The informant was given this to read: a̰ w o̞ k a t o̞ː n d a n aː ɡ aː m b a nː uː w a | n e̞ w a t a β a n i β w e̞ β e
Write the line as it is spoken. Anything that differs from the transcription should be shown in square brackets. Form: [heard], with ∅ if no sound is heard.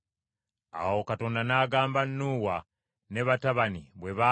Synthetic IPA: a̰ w o̞ k a t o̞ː n d a n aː ɡ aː m b a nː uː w a | n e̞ [β] a t a β a n i β w e̞ β [a]